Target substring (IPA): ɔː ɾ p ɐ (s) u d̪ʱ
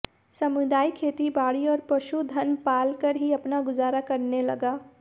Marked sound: incorrect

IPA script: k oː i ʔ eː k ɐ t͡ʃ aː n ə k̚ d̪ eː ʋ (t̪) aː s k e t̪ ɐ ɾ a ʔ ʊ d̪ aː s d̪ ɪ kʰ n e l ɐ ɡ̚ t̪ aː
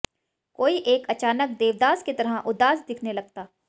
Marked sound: incorrect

